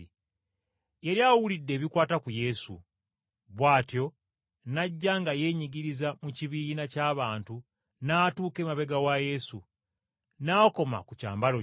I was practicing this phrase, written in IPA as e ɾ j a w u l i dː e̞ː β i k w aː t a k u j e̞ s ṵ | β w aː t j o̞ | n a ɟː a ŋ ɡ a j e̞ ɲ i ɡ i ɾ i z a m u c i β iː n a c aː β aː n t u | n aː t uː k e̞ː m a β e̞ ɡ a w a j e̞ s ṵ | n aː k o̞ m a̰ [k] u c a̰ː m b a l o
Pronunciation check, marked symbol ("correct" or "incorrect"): correct